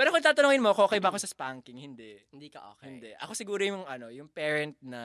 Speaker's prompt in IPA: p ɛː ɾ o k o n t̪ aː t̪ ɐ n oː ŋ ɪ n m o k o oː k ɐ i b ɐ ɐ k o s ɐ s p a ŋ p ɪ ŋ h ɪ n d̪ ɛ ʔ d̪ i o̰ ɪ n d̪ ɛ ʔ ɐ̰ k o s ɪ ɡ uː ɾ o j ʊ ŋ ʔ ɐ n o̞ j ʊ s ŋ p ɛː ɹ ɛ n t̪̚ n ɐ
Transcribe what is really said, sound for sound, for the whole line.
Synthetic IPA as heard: p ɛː ɾ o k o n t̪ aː t̪ ɐ n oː ŋ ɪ n m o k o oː k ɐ j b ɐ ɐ k o s ɐ s p a ŋ k ɪ ŋ h ɪ n d̪ ɛ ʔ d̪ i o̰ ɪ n d̪ ɛ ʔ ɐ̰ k o s ɪ ɡ uː ɾ o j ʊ ŋ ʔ ɐ n o̞ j ʊ ŋ p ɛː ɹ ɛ n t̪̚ n ɐ